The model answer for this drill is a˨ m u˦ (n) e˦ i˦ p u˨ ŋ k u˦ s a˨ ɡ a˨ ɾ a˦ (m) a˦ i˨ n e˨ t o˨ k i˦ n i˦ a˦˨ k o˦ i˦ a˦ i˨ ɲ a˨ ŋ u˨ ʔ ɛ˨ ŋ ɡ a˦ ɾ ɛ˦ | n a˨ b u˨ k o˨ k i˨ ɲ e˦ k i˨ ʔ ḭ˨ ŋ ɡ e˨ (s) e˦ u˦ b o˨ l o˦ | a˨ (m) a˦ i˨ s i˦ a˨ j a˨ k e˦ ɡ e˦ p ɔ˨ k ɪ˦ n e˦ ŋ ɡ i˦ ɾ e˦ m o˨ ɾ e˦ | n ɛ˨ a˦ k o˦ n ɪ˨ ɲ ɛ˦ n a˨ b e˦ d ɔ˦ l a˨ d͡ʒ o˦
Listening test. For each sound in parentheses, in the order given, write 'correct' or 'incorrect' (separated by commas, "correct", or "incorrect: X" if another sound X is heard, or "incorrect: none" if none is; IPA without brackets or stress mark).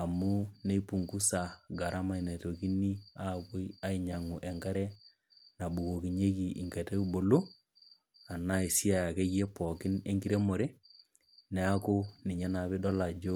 correct, correct, incorrect: t, incorrect: n